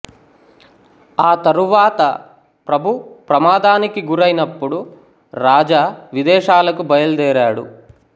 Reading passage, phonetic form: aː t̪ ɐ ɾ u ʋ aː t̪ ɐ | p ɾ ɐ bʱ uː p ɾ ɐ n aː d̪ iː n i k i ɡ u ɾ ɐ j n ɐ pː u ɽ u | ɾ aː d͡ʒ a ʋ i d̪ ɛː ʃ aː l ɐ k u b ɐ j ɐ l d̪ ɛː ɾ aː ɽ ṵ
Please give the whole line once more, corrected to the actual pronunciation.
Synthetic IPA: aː t̪ ɐ ɾ u ʋ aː t̪ ɐ | p ɾ ɐ bʱ u p ɾ ɐ m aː d̪ aː n i k i ɡ u ɾ ɐ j n ɐ pː u ɽ u | ɾ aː d͡ʒ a ʋ i d̪ ɛː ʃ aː l ɐ k u b ɐ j ɐ l d̪ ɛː ɾ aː ɽ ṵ